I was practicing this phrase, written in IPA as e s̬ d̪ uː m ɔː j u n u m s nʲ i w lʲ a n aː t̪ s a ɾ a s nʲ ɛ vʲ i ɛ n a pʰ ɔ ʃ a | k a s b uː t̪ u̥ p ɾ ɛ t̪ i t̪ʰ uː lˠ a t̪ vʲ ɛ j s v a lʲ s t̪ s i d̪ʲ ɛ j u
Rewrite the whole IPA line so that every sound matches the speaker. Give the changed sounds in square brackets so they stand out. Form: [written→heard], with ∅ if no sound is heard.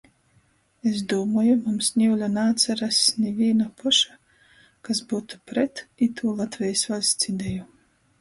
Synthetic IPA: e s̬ d̪ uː m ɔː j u [n→m] u m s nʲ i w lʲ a n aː t̪ s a ɾ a s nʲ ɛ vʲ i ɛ n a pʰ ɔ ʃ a | k a s b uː t̪ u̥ p ɾ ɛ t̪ i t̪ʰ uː lˠ a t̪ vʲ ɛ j s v a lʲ s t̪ s i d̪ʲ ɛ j u